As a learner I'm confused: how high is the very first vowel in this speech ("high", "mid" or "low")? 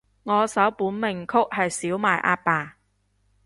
mid